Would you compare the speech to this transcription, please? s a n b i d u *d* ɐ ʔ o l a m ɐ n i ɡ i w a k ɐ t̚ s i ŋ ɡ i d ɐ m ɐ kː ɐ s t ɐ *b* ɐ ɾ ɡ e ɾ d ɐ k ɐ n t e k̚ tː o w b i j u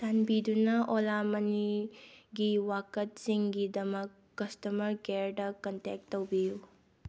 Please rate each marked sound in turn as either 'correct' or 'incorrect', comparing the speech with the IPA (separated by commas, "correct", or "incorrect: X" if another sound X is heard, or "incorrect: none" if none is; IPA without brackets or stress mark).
incorrect: n, incorrect: m